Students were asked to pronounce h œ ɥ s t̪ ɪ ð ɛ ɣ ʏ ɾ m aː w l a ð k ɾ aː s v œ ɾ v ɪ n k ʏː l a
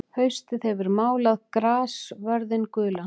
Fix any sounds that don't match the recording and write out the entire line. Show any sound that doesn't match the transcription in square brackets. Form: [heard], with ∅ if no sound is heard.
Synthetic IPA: h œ ɥ s t̪ ɪ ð ɛ [v] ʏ ɾ m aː w l a ð k ɾ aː s v œ ɾ [ð] ɪ n k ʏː l a